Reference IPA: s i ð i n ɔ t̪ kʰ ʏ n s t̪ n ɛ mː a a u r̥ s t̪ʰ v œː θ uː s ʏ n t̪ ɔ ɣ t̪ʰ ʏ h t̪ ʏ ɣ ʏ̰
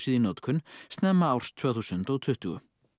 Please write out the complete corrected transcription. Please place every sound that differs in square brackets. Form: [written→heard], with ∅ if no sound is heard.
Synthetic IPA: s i ð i n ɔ t̪ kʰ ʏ n s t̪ n ɛ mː a a [u→w] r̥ s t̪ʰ v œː θ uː s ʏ n t̪ ɔ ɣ t̪ʰ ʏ h t̪ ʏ ɣ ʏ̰